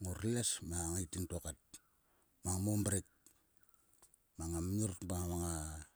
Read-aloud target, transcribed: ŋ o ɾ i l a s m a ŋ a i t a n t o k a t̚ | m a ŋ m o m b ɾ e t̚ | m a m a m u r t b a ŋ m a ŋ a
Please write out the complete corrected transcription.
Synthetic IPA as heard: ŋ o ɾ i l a s m a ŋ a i t i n t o k a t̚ | m a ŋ m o m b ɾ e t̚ | m a ŋ a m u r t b a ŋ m a ŋ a